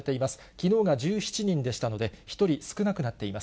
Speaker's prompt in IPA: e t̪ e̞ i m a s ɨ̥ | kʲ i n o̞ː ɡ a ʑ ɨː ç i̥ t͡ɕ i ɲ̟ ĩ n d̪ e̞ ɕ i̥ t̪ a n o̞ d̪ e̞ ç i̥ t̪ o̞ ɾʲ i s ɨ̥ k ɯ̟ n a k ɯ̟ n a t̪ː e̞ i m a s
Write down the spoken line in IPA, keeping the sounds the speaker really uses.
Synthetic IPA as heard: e t̪ e̞ i m a s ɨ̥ | kʲ i n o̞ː ɡ a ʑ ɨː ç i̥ t͡ɕ i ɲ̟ ĩ n d̪ e̞ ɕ i̥ t̪ a n o̞ d̪ e̞ ç i̥ t̪ o̞ ɾʲ i s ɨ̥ k ɯ̟ n a k ɯ̟ n a t̪ː e̞ i m a s